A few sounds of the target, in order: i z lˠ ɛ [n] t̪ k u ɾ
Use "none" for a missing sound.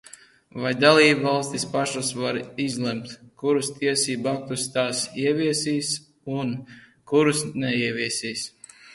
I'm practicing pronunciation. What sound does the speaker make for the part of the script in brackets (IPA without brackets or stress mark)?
m